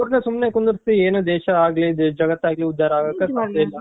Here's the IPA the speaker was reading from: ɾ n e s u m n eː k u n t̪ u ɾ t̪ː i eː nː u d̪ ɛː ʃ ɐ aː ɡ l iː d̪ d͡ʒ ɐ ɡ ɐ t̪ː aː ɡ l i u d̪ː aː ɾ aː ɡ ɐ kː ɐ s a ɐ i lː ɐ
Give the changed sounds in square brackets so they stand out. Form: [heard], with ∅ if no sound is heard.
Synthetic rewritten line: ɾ n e s u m n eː k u n [d̪] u ɾ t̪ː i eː [n] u d̪ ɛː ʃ ɐ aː ɡ l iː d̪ d͡ʒ ɐ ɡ ɐ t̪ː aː ɡ l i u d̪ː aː ɾ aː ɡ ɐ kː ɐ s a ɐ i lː ɐ